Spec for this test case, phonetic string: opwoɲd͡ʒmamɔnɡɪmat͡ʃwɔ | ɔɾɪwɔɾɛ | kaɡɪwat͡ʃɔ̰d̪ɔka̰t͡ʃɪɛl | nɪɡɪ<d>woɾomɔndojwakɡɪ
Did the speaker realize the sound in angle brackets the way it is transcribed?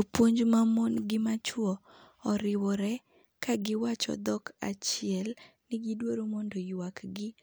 yes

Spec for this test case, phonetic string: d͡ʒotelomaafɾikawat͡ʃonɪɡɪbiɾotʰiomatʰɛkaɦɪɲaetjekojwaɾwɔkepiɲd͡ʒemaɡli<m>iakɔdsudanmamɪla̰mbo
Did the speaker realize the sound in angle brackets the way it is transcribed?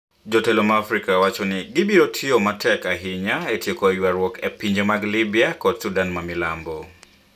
no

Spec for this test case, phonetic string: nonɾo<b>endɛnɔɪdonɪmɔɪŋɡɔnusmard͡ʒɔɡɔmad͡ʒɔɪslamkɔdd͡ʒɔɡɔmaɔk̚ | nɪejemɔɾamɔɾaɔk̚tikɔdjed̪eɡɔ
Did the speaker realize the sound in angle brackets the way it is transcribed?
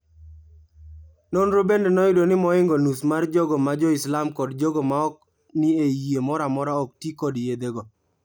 yes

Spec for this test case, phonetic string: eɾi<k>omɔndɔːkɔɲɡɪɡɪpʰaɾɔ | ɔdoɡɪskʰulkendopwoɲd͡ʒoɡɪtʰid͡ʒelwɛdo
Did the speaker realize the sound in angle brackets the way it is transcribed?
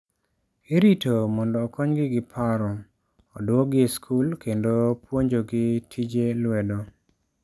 no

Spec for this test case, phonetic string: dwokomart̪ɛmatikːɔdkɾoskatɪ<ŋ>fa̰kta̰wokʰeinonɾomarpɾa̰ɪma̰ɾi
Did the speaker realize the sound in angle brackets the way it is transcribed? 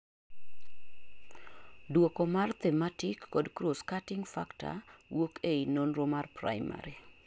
yes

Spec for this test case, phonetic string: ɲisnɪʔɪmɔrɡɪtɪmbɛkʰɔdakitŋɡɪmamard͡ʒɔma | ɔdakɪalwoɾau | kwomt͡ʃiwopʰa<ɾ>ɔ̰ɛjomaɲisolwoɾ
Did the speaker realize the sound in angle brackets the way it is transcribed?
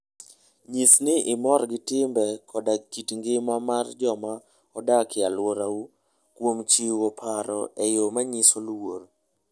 yes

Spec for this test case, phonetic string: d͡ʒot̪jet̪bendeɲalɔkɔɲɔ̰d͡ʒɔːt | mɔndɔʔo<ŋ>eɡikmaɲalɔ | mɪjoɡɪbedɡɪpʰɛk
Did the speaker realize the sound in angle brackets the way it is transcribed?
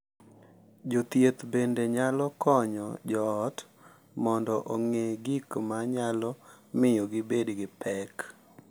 yes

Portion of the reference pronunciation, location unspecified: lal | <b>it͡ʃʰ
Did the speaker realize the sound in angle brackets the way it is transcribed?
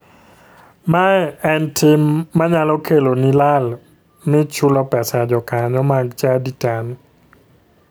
no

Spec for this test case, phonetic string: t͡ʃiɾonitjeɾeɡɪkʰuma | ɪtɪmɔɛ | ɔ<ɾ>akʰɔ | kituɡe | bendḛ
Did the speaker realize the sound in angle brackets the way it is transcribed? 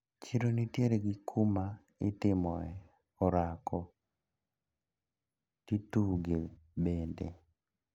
yes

